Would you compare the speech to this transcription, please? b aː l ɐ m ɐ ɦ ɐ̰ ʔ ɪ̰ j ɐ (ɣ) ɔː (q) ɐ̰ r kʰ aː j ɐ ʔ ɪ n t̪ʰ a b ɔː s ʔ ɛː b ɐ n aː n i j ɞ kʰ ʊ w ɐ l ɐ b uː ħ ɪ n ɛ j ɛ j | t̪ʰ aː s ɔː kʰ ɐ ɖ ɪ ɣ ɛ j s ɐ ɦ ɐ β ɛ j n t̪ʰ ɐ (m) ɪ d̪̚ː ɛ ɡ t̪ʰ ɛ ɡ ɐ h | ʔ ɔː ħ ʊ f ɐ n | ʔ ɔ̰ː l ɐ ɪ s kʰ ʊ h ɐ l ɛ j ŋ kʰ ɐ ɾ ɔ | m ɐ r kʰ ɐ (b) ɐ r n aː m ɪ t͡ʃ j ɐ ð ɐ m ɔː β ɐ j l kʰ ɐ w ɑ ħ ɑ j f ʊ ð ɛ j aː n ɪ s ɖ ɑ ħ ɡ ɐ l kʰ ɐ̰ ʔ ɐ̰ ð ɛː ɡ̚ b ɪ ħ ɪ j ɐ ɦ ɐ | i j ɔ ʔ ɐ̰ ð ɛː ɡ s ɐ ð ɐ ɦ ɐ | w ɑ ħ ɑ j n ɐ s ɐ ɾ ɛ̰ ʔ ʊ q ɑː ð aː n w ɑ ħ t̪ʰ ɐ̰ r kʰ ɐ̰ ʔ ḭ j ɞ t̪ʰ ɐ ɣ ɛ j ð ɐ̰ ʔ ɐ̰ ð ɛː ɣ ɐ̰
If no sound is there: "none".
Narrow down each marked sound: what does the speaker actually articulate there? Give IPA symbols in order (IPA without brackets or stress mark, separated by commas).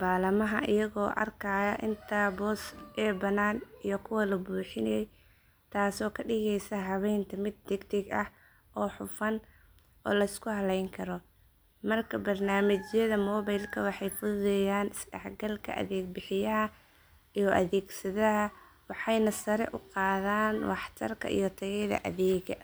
ɣ, ʔ, m, b